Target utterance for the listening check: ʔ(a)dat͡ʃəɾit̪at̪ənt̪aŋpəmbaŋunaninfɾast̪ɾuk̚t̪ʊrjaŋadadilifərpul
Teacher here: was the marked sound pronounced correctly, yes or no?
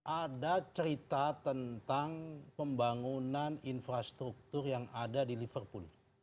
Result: yes